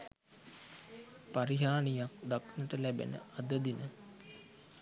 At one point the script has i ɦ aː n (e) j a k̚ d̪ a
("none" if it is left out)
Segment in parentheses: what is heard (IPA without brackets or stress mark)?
i